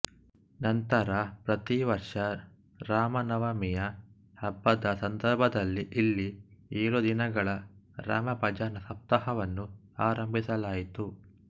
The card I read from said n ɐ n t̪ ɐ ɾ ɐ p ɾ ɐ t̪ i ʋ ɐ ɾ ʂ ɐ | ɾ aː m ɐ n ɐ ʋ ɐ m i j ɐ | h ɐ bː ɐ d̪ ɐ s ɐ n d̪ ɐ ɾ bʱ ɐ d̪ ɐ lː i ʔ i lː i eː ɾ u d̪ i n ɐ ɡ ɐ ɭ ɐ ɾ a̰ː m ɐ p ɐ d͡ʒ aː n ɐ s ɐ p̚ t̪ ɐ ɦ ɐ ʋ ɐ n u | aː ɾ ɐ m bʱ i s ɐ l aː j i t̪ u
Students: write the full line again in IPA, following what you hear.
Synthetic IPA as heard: n ɐ n t̪ ɐ ɾ ɐ p ɾ ɐ t̪ i ʋ ɐ ɾ ʂ ɐ | ɾ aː m ɐ n ɐ ʋ ɐ m i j ɐ | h ɐ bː ɐ d̪ ɐ s ɐ n d̪ ɐ ɾ bʱ ɐ d̪ ɐ lː i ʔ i lː i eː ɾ u d̪ i n ɐ ɡ ɐ ɭ ɐ ɾ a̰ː m ɐ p ɐ d͡ʒ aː n ɐ s ɐ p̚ t̪ ɐ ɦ ɐ ʋ ɐ nː u | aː ɾ ɐ m bʱ i s ɐ l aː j i t̪ u

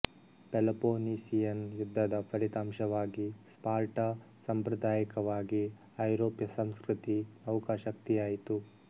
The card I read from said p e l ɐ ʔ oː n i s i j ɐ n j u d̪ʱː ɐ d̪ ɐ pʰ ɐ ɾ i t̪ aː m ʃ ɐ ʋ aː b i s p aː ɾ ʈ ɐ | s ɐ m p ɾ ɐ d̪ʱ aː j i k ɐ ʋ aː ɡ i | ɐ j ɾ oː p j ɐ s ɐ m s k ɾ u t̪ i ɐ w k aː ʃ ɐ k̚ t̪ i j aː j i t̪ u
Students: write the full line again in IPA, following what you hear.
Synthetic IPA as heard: p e l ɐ p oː n i s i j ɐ n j u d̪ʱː ɐ d̪ ɐ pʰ ɐ ɾ i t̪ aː m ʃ ɐ ʋ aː ɡ i s p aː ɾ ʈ ɐ | s ɐ m p ɾ ɐ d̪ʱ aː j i k ɐ ʋ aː ɡ i | ɐ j ɾ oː p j ɐ s ɐ m s k ɾ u t̪ i ɐ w k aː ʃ ɐ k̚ t̪ i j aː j i t̪ u

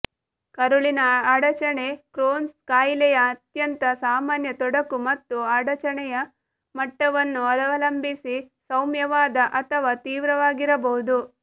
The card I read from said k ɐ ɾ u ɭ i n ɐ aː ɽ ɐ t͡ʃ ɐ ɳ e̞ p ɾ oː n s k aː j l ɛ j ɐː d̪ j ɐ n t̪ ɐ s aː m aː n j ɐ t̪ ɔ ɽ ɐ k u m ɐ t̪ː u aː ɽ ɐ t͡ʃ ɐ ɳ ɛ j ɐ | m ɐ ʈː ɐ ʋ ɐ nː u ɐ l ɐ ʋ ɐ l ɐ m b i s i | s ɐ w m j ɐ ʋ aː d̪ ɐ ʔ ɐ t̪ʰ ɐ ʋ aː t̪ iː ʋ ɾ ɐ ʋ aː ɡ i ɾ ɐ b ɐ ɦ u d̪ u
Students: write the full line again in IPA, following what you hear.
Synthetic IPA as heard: k ɐ ɾ u ɭ i n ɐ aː ɽ ɐ t͡ʃ ɐ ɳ e̞ k ɾ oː n s k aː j l ɛ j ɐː t̪ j ɐ n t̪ ɐ s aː m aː n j ɐ t̪ ɔ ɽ ɐ k u m ɐ t̪ː u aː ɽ ɐ t͡ʃ ɐ ɳ ɛ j ɐ | m ɐ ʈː ɐ ʋ ɐ nː u ɐ l ɐ ʋ ɐ l ɐ m b i s i | s ɐ w m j ɐ ʋ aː d̪ ɐ ʔ ɐ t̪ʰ ɐ ʋ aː t̪ iː ʋ ɾ ɐ ʋ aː ɡ i ɾ ɐ b ɐ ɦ u d̪ u

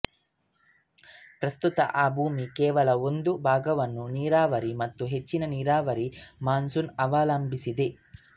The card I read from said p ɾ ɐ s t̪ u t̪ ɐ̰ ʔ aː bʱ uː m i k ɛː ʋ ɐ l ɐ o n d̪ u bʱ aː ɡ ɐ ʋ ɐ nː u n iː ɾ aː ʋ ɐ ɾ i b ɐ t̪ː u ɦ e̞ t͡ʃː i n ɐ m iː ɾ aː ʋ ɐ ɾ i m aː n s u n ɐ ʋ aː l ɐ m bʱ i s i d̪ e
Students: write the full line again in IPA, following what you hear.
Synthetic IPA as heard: p ɾ ɐ s t̪ u t̪ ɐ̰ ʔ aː bʱ uː m i k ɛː ʋ ɐ l ɐ o n d̪ u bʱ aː ɡ ɐ ʋ ɐ nː u n iː ɾ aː ʋ ɐ ɾ i m ɐ t̪ː u ɦ e̞ t͡ʃː i n ɐ n iː ɾ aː ʋ ɐ ɾ i m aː n s u n ɐ ʋ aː l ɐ m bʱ i s i d̪ e

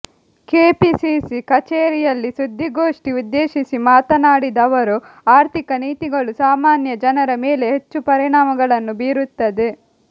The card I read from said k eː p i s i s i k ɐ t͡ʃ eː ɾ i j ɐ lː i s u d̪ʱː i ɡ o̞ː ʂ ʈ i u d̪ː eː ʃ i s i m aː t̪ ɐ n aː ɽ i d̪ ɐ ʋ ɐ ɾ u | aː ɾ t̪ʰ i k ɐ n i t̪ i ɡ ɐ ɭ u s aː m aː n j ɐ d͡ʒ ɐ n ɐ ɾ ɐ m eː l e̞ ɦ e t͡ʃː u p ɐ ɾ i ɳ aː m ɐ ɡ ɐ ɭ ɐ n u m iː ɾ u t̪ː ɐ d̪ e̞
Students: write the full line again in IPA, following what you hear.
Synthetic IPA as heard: k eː p i s i s i k ɐ t͡ʃ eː ɾ i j ɐ lː i s u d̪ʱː i ɡ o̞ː ʂ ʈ i u d̪ː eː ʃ i s i m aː t̪ ɐ n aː ɽ i d̪ ɐ ʋ ɐ ɾ u | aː ɾ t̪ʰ i k ɐ n iː t̪ i ɡ ɐ ɭ u s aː m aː n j ɐ d͡ʒ ɐ n ɐ ɾ ɐ m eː l e̞ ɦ e t͡ʃː u p ɐ ɾ i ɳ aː m ɐ ɡ ɐ ɭ ɐ nː u b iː ɾ u t̪ː ɐ d̪ e̞

